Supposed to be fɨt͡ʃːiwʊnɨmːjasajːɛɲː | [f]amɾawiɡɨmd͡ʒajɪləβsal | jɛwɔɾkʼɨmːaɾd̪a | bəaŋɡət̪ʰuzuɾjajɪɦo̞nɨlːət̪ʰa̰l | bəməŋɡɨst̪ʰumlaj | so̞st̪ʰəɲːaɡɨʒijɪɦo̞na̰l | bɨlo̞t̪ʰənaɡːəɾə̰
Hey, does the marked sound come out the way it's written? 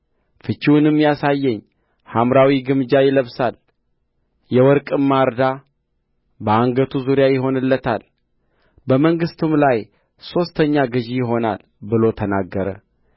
no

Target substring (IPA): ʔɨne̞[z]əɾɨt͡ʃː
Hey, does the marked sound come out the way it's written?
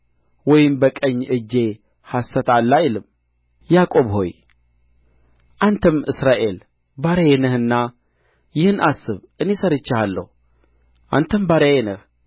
no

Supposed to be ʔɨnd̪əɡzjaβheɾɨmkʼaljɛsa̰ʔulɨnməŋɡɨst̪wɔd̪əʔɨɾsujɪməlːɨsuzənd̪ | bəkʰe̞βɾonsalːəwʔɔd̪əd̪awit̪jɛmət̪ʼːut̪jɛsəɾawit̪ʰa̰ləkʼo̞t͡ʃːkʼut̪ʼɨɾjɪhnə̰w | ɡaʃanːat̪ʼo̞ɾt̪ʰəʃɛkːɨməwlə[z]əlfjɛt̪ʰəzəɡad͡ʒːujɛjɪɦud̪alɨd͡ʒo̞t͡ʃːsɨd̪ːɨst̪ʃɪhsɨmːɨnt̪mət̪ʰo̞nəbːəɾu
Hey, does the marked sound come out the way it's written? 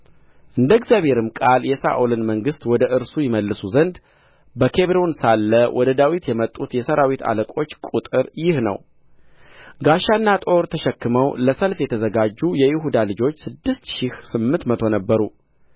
no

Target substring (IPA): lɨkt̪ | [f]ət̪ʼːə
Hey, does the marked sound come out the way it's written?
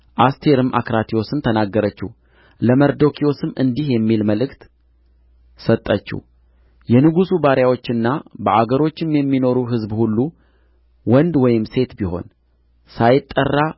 no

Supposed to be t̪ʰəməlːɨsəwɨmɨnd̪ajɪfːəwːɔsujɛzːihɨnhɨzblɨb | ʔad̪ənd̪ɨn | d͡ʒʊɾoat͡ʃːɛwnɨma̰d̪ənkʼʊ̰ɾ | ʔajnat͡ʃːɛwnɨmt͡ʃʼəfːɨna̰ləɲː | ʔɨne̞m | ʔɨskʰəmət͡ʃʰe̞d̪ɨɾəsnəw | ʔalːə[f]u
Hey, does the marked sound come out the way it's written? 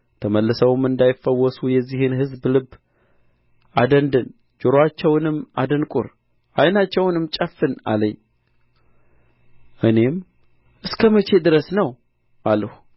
no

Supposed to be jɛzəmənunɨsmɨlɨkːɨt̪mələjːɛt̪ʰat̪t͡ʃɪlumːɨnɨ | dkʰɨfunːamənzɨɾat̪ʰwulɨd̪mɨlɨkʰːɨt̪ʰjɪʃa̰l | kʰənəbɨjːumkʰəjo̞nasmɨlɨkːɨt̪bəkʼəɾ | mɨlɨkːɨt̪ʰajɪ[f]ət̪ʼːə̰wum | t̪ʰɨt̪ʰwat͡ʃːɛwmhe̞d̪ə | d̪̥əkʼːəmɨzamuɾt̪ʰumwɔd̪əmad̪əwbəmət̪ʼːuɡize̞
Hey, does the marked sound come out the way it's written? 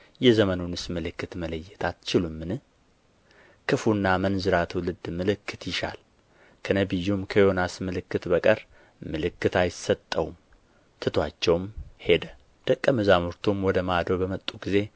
no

